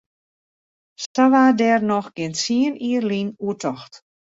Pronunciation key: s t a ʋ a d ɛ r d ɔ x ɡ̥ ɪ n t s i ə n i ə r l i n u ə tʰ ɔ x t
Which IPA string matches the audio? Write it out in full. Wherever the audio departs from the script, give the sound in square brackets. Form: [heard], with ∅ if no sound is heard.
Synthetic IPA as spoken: s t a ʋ a d ɛ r [n] ɔ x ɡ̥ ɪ n t s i ə n i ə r l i n u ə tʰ ɔ x t